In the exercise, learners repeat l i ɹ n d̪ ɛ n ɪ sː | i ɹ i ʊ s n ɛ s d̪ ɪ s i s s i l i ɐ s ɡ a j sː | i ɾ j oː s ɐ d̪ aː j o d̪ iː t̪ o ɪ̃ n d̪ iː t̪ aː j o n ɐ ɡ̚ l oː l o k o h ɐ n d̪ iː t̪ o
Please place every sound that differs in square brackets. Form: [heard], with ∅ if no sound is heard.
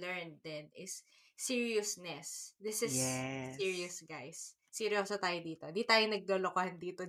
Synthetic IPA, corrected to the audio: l [ɛ] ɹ n d̪ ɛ n ɪ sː | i ɹ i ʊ s n ɛ s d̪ ɪ s [ɪ] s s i [ɹ] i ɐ s ɡ a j sː | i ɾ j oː s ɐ [t̪] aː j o d̪ iː t̪ o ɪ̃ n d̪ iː t̪ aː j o n ɐ ɡ̚ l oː l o k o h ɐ n d̪ iː t̪ o